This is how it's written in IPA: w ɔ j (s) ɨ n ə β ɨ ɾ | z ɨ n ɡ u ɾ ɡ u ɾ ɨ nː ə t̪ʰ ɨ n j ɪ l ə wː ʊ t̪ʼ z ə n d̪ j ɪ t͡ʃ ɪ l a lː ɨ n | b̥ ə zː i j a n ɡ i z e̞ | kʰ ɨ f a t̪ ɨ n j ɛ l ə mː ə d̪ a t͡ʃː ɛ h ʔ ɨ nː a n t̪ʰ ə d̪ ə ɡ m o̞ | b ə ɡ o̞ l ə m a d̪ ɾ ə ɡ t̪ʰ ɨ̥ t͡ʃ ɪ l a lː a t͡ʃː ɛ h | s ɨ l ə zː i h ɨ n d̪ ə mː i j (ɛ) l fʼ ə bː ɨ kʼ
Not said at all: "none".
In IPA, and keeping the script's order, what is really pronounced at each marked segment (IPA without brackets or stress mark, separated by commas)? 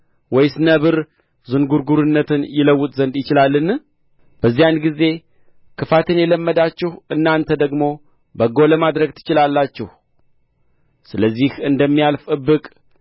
s, a